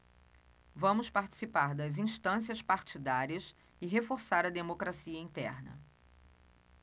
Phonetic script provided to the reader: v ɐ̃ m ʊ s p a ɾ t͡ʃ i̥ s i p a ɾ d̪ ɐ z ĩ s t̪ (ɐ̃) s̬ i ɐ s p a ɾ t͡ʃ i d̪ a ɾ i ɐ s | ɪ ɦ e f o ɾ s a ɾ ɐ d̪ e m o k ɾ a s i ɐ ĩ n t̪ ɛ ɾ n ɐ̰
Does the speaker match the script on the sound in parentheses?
yes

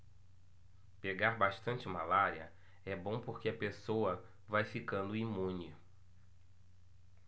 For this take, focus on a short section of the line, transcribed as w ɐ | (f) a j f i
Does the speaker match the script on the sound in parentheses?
no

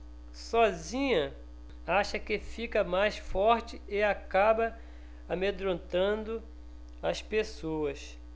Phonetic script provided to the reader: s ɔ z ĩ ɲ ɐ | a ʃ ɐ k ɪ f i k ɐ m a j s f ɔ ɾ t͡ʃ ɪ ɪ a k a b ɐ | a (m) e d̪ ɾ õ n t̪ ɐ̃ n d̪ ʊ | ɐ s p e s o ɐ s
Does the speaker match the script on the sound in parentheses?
yes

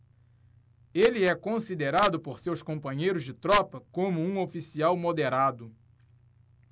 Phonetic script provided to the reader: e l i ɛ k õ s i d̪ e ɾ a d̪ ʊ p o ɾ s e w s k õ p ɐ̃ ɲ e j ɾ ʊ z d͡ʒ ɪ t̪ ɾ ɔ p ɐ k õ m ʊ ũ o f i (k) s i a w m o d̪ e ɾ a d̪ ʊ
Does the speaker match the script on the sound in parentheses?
no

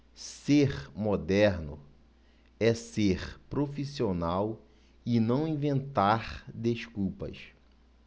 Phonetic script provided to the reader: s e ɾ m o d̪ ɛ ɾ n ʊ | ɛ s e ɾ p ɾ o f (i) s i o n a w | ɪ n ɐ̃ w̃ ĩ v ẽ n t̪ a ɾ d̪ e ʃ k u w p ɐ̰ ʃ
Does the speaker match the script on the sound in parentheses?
yes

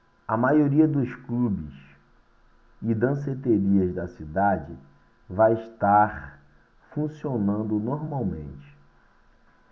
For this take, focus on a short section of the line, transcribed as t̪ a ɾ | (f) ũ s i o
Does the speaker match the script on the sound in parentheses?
yes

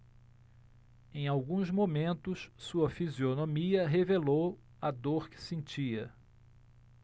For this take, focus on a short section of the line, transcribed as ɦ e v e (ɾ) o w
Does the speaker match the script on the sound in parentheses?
no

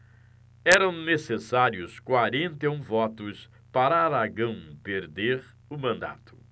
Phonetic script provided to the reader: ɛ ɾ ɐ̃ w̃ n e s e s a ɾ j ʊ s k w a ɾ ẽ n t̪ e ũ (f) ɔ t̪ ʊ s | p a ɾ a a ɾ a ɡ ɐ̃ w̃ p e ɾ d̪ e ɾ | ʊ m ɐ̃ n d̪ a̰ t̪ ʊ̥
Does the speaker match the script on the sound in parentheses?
no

